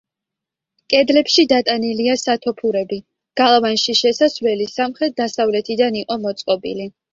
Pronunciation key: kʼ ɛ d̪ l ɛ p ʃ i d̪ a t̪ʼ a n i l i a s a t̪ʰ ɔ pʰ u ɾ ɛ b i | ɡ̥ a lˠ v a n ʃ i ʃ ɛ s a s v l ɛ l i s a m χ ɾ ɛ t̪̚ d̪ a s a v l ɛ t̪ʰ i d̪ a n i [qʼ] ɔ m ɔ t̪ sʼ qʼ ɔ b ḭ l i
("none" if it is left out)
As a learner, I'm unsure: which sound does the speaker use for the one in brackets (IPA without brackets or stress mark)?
qʼ